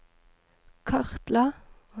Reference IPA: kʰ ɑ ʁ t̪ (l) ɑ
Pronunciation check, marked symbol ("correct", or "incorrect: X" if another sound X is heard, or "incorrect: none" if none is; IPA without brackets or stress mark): correct